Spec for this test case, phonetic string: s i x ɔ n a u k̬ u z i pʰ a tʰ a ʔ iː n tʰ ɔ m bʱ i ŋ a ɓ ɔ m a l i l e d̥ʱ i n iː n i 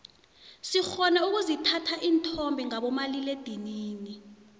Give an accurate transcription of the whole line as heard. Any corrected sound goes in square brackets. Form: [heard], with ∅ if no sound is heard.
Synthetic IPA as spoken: s i x ɔ n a u k̬ u z i [tʰ] a tʰ a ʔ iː n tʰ ɔ m bʱ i ŋ a ɓ ɔ m a l i l e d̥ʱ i n iː n i

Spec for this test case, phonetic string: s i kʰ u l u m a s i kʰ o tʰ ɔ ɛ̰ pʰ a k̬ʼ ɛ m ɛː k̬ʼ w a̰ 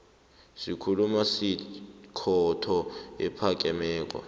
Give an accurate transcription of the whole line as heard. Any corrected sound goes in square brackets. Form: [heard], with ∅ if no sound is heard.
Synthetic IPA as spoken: s i kʰ u l u m a s i kʰ [ɔ] tʰ ɔ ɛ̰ pʰ a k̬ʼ ɛ m ɛː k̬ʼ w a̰

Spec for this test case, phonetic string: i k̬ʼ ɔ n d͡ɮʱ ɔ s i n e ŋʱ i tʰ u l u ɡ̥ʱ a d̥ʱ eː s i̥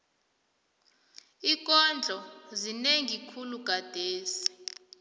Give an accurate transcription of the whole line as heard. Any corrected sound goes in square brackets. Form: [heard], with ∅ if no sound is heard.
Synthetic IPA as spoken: i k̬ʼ ɔ n d͡ɮʱ ɔ [z] i n e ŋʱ i [kʰ] u l u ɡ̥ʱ a d̥ʱ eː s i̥

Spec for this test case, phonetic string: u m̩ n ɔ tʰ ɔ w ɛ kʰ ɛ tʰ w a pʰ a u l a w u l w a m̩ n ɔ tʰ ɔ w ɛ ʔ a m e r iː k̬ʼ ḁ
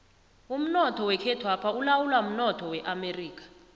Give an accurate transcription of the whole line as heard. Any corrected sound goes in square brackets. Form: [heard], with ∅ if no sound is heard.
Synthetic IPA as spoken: u m̩ n ɔ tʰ ɔ w ɛ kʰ ɛ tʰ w a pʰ a u l a w u l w a m̩ n ɔ tʰ ɔ w ɛ ʔ a m e r iː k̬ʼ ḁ

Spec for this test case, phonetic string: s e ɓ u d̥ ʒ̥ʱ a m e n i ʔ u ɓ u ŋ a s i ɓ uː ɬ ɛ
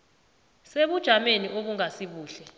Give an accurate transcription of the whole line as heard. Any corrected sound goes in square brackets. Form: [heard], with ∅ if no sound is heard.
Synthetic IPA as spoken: s e ɓ u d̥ ʒ̥ʱ a m e n i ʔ [o] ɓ u ŋ a s i ɓ uː ɬ ɛ

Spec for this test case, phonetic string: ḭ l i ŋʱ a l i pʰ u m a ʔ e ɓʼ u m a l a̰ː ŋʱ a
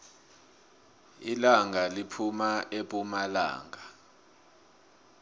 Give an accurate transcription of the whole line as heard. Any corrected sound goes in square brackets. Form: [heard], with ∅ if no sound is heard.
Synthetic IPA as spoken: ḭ l [a] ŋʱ a l i pʰ u m a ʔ e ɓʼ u m a l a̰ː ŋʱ a

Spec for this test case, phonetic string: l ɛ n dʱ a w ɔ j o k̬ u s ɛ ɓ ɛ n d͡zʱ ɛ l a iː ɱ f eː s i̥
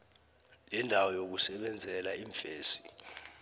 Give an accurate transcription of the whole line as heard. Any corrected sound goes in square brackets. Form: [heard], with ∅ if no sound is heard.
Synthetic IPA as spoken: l ɛ n dʱ a w ɔ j o k̬ u s ɛ ɓ ɛ n d͡zʱ ɛ l a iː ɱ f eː s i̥

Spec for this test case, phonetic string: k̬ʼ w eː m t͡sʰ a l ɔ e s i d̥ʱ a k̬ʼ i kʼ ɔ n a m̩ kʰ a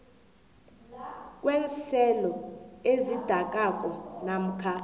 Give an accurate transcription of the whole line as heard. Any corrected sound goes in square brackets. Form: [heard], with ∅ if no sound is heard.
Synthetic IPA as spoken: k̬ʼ w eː [n] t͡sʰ [ɛ] l ɔ e [z] i d̥ʱ a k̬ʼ [a] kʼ ɔ n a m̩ kʰ a

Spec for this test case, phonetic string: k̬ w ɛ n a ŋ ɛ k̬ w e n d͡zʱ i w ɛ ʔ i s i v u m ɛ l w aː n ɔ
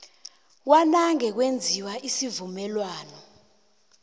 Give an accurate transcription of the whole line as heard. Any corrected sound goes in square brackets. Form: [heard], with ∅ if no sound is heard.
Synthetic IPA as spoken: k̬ w [a] n a ŋ ɛ k̬ w e n d͡zʱ i w [a] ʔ i s i v u m ɛ l w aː n ɔ

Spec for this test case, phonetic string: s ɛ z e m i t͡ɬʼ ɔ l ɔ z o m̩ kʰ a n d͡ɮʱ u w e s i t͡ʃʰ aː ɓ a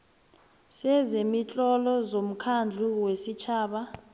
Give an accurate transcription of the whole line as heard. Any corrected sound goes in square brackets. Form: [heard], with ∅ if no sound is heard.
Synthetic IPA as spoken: s ɛ z e m i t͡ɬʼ ɔ l ɔ z o m̩ kʰ a n d͡ɮʱ u w e s i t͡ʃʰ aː ɓ a

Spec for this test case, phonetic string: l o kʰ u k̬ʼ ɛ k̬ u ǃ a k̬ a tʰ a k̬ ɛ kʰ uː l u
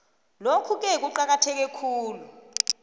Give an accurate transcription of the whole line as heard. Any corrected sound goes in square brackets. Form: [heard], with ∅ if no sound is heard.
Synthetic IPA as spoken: l o kʰ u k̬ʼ ɛ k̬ u ǃ a k̬ a tʰ [ɛ] k̬ ɛ kʰ uː l u

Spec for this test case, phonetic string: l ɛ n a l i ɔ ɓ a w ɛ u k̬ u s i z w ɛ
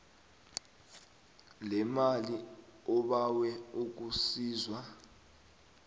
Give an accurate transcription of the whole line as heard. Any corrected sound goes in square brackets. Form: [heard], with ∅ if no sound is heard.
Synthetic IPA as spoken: l ɛ [m] a l i ɔ ɓ a w ɛ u k̬ u s [iː] z w [a]

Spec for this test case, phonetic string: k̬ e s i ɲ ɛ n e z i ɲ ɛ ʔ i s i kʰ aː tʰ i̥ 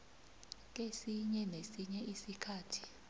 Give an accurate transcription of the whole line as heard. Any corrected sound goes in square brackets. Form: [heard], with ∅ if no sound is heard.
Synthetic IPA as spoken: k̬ e s i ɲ ɛ n e [s] i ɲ ɛ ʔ i s i kʰ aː tʰ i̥

